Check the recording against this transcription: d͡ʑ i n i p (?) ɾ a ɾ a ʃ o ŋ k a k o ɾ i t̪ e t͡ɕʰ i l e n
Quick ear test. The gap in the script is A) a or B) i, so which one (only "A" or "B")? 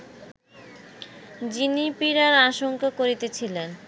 B